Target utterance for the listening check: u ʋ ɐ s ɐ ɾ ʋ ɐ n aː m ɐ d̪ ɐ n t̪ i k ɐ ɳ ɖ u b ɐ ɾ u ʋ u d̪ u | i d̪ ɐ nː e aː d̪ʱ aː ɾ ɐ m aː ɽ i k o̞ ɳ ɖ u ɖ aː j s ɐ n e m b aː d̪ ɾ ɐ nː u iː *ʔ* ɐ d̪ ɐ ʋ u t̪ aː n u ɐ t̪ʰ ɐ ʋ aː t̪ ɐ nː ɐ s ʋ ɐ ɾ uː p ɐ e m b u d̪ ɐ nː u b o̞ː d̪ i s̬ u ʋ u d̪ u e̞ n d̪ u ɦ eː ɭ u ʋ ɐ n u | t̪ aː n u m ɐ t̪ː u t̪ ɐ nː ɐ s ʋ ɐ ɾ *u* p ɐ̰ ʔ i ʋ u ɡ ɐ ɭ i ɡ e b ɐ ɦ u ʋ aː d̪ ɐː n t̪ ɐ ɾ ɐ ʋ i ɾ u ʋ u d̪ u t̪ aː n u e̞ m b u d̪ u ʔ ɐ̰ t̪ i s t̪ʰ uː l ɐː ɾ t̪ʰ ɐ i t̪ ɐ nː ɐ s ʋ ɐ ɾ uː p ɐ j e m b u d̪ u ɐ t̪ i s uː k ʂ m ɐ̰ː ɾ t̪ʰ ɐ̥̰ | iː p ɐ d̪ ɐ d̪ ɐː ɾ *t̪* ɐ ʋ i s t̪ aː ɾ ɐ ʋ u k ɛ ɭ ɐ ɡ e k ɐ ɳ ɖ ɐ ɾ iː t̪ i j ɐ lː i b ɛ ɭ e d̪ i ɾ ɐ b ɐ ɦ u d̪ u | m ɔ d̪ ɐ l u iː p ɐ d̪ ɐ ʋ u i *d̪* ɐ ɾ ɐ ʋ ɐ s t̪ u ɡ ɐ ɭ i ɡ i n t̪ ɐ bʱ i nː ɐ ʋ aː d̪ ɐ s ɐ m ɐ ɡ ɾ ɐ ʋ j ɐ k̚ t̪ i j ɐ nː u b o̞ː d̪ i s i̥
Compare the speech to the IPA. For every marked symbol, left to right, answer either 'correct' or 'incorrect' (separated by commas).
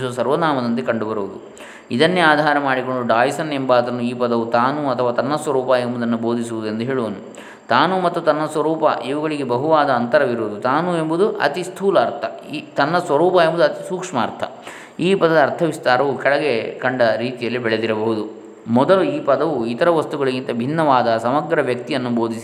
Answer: incorrect, incorrect, incorrect, incorrect